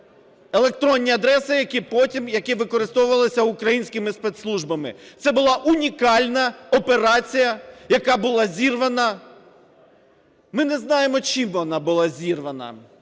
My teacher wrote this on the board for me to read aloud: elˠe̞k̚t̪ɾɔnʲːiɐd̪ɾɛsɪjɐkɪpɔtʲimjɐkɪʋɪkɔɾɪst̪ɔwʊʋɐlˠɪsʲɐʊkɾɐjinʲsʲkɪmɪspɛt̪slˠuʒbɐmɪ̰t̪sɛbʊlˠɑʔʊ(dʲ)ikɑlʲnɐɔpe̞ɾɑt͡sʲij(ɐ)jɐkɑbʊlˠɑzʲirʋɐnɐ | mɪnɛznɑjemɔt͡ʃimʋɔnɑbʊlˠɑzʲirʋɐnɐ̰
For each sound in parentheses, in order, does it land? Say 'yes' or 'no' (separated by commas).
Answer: no, yes